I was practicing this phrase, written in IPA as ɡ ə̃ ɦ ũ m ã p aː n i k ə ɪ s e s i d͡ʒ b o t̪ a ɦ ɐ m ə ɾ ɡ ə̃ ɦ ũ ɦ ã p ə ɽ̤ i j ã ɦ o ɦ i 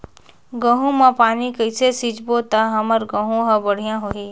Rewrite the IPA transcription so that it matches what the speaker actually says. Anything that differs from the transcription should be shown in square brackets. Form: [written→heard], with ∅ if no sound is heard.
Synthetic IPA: ɡ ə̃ ɦ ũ m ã p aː n i k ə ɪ s e s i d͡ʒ b o t̪ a ɦ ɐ m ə ɾ ɡ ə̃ ɦ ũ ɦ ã [p→b] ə ɽ̤ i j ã ɦ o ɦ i

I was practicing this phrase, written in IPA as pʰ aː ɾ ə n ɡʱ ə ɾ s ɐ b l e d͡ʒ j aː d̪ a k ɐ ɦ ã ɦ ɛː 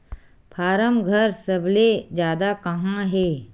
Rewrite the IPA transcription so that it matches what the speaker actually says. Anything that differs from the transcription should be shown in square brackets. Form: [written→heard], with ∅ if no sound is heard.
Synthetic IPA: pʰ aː ɾ ə [n→m] ɡʱ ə ɾ s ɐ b l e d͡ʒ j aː d̪ a k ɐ ɦ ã ɦ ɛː

